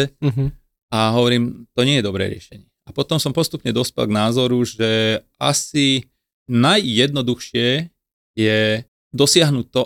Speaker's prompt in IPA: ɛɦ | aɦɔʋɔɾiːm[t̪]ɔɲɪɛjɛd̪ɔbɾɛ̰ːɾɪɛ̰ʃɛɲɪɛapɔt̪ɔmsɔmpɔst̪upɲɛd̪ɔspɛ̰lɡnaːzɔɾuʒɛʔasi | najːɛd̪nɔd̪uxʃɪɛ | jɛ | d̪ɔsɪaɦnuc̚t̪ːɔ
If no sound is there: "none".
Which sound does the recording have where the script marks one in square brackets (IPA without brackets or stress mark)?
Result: t̪